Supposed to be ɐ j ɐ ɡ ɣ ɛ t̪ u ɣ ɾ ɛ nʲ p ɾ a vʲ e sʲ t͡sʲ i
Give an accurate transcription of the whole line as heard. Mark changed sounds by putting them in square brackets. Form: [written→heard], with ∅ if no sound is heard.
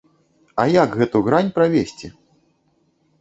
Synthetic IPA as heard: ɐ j [ɐ→a] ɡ ɣ ɛ t̪ u ɣ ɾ [ɛ→a] nʲ p ɾ a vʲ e sʲ t͡sʲ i